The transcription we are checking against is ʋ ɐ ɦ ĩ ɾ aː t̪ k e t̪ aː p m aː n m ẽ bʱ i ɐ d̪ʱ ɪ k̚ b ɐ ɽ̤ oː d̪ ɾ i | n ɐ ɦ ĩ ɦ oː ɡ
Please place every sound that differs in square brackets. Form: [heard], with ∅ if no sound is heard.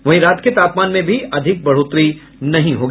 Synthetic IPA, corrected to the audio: ʋ ɐ ɦ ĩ ɾ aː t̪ k e t̪ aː p m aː n m ẽ bʱ i ɐ d̪ʱ ɪ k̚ b ɐ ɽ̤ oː [t̪] ɾ i | n ɐ ɦ ĩ ɦ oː ɡ